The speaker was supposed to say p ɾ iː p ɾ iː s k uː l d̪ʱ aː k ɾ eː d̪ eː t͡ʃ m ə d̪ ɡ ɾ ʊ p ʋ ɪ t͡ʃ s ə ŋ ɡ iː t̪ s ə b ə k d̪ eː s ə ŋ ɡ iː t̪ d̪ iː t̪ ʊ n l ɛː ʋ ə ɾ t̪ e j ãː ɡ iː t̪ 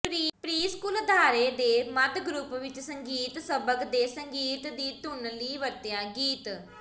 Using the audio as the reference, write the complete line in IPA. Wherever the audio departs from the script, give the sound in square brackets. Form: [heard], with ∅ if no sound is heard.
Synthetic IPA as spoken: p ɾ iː p ɾ iː s k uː l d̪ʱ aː [∅] ɾ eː d̪ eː [∅] m ə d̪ ɡ ɾ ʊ p ʋ ɪ t͡ʃ s ə ŋ ɡ iː t̪ s ə b ə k d̪ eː s ə ŋ ɡ iː t̪ d̪ iː t̪ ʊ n l [iː] ʋ ə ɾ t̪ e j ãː ɡ iː t̪